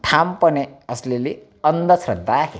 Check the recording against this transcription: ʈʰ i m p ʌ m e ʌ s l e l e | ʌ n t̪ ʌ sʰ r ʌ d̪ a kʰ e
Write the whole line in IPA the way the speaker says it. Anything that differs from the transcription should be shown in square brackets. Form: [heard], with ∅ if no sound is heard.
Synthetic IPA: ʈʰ [a] m p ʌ [n] e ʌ s l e l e | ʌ n [d̪] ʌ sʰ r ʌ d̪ a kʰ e